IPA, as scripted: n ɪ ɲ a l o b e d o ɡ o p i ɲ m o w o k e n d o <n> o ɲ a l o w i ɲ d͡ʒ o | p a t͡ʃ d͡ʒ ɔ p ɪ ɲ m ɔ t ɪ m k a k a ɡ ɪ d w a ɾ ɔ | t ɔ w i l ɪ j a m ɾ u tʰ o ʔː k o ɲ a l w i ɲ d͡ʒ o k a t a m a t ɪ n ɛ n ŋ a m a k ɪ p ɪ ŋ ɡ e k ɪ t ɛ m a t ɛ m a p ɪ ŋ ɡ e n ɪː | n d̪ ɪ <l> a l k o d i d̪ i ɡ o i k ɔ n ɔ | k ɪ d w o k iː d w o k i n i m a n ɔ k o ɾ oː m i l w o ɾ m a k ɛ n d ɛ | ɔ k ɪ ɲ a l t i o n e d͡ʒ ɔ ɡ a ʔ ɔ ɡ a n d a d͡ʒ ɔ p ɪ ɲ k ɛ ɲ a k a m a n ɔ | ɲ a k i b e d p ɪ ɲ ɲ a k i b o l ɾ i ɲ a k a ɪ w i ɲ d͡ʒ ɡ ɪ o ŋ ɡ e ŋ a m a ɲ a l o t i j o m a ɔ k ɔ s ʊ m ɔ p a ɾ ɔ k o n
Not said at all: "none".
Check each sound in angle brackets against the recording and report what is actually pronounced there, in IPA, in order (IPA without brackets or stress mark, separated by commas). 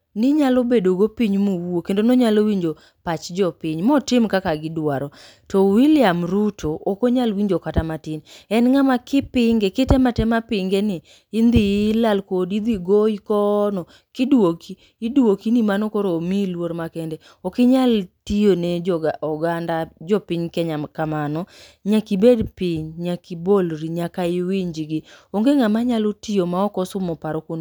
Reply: n, l